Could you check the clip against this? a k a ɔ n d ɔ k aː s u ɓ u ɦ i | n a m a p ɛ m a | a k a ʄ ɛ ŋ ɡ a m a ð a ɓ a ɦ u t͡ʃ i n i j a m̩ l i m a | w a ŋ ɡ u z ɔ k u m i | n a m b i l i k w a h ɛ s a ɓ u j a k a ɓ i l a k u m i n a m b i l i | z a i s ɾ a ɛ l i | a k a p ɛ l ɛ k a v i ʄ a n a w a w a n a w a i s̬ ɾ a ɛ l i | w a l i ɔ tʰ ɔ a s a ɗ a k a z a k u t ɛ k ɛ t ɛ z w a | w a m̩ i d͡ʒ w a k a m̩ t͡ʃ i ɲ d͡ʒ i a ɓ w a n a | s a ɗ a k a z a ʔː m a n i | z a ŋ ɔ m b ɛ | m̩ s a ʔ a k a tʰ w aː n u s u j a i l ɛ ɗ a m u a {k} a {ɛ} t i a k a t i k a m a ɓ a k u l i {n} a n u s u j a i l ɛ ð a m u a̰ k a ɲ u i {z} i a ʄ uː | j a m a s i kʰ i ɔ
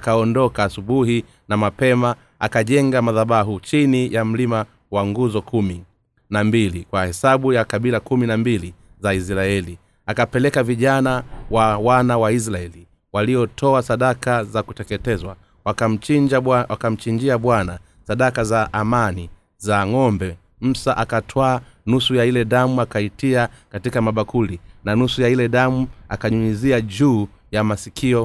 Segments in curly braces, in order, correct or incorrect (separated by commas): correct, incorrect, correct, correct